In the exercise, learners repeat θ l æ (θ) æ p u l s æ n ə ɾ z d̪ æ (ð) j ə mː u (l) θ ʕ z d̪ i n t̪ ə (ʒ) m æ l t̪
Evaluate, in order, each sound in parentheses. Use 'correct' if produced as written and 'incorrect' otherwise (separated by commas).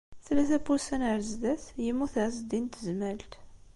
correct, incorrect, incorrect, incorrect